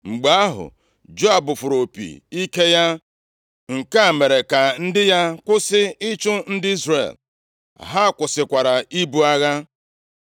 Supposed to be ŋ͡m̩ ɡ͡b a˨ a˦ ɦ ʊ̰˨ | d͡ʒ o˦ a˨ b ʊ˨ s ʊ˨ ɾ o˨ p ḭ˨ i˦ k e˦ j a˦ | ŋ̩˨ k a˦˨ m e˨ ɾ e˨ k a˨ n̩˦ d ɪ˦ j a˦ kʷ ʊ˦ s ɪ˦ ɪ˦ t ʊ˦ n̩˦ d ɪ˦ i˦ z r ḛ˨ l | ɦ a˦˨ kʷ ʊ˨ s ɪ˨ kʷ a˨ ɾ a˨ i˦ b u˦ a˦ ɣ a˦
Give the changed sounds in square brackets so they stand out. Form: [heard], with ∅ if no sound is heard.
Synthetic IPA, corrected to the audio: ŋ͡m̩ ɡ͡b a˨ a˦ ɦ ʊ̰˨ | d͡ʒ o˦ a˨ b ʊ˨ [f] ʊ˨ ɾ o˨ p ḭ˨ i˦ k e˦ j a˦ | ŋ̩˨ k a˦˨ m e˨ ɾ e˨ k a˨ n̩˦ d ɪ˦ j a˦ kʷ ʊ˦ s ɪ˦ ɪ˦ [t͡ʃ] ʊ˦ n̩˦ d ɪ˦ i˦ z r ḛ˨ l | ɦ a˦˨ kʷ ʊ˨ s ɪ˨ kʷ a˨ ɾ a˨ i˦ b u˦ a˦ ɣ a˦